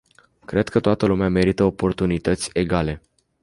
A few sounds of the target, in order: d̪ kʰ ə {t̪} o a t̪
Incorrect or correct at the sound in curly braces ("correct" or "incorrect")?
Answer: correct